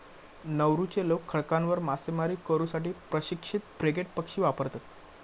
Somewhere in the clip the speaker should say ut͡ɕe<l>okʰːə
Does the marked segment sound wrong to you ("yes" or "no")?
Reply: no